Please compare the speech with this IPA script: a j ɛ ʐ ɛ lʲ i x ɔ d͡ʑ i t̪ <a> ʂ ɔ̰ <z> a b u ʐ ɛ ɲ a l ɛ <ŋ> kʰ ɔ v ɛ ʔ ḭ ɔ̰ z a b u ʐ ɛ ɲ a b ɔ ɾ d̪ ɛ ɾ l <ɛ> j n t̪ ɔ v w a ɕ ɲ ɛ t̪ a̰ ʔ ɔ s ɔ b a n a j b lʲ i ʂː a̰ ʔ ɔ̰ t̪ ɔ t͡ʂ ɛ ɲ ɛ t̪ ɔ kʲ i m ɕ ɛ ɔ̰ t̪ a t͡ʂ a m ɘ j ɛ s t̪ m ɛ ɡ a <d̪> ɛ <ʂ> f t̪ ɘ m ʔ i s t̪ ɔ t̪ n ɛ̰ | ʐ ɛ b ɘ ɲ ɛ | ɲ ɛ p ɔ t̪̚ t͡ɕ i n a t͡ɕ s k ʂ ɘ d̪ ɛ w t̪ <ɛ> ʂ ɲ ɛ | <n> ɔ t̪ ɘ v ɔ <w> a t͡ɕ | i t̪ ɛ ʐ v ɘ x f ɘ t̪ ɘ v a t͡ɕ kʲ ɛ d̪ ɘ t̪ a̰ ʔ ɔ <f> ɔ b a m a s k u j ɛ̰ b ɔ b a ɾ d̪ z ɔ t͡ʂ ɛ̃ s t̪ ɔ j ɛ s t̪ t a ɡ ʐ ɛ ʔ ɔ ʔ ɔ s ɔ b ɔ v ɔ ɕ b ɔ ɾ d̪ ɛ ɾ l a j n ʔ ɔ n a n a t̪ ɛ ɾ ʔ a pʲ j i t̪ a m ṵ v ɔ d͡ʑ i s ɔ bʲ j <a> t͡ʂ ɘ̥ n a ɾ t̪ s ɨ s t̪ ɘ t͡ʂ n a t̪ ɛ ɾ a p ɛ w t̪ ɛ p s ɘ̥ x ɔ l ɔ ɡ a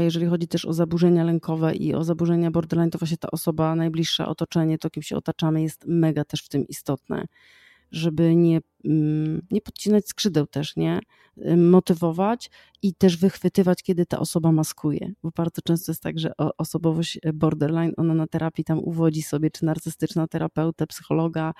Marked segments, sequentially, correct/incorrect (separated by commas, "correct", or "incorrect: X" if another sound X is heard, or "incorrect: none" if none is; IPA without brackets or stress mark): incorrect: ɛ, correct, correct, incorrect: a, incorrect: t̪, correct, correct, incorrect: m, incorrect: v, incorrect: s, incorrect: ɛ